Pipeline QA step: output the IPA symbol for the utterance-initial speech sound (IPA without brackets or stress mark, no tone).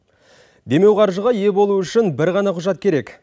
d̪